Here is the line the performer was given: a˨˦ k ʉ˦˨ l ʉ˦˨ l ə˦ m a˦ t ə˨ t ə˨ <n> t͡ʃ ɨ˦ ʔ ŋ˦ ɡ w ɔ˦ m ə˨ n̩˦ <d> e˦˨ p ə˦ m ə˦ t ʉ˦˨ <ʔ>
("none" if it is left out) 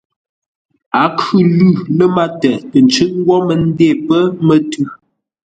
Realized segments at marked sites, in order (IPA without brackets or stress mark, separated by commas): n, d, none